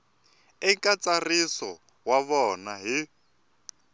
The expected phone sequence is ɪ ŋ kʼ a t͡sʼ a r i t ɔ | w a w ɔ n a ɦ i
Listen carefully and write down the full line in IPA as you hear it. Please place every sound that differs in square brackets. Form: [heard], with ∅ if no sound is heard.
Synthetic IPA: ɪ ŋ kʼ a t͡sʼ a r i [s] ɔ | w a [β] ɔ n a ɦ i